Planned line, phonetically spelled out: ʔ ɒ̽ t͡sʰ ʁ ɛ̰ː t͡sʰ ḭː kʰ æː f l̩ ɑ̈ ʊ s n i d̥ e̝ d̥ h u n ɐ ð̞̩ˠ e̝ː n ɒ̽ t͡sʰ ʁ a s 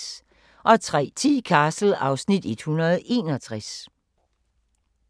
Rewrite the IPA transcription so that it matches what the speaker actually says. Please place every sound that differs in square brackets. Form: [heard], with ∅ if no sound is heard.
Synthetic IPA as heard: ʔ ɒ̽ t͡sʰ ʁ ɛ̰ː t͡sʰ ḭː kʰ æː [s] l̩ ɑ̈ ʊ s n i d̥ e̝ d̥ h u n ɐ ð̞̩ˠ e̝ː n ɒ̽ t͡sʰ ʁ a s